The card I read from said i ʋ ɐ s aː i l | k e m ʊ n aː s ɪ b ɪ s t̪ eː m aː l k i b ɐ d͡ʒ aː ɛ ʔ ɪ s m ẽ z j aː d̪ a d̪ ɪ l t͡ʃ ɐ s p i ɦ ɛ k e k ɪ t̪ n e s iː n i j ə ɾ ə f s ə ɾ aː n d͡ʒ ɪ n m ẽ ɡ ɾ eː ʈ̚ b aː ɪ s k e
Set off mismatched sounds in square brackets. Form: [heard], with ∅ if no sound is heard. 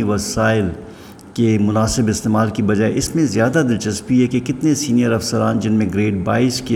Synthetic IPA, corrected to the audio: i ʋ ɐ s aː [ɪ] l | k e m ʊ n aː s ɪ b ɪ s t̪ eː m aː l k i b ɐ d͡ʒ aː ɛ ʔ ɪ s m ẽ z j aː d̪ a d̪ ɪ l t͡ʃ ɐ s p i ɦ ɛ k e k ɪ t̪ n e s iː n i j ə ɾ [ɐ] f s ə ɾ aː n d͡ʒ ɪ n m ẽ ɡ ɾ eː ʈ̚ b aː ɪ s k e